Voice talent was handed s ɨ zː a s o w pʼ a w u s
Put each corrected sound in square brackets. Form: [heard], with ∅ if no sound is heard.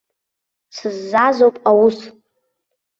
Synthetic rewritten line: s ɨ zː a [z] o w pʼ a w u s